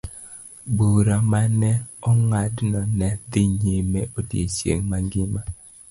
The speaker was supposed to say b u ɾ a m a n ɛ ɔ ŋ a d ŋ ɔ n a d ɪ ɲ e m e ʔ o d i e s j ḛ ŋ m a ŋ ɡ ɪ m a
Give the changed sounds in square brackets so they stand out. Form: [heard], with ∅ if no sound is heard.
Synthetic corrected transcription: b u ɾ a m a n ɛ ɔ ŋ a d [n] ɔ n [ɛ] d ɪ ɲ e m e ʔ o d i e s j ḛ ŋ m a ŋ ɡ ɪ m a